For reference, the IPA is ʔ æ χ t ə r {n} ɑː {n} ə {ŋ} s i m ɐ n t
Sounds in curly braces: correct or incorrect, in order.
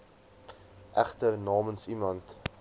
correct, incorrect, incorrect

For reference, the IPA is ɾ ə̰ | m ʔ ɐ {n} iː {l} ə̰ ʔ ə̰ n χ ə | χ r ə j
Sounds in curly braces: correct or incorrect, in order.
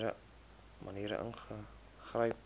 correct, incorrect

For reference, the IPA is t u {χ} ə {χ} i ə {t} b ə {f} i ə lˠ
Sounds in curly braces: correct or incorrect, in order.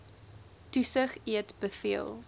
incorrect, correct, correct, correct

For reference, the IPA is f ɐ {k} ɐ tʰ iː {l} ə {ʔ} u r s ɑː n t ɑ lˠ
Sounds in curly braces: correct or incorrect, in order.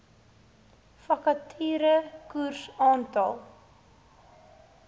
correct, incorrect, incorrect

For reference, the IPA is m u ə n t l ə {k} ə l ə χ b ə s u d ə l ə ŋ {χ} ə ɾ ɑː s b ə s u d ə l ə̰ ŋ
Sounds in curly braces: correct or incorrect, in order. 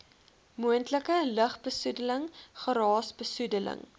correct, correct

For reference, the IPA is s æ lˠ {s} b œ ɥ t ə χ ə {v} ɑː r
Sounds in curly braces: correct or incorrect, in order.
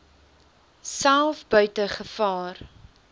incorrect, incorrect

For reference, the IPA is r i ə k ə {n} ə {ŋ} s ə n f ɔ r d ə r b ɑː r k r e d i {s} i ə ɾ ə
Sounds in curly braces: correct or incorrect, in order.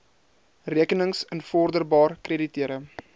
correct, correct, incorrect

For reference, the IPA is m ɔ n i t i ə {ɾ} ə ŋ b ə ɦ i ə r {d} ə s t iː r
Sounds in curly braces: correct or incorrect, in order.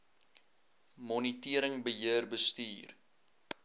correct, incorrect

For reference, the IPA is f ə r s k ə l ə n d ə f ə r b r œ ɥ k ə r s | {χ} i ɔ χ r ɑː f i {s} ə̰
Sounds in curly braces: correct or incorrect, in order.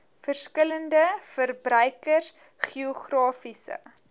correct, correct

